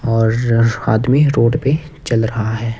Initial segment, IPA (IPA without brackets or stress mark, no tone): ɔː